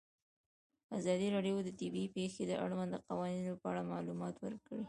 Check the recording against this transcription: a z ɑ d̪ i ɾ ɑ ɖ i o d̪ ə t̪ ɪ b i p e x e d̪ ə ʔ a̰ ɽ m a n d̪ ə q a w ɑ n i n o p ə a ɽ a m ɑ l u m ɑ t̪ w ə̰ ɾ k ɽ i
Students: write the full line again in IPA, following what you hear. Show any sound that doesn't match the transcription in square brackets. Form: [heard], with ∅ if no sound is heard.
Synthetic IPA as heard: a z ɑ d̪ i ɾ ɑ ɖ [j] o d̪ ə t̪ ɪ b i p e x e d̪ ə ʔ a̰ ɽ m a n d̪ ə q a w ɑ n i n o p ə a ɽ a m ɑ l u m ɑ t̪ w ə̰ ɾ k ɽ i